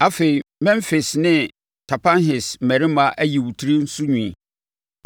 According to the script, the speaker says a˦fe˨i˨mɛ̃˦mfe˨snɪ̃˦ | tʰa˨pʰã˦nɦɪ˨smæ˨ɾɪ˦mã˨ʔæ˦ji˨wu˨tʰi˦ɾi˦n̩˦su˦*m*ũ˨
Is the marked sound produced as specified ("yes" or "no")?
no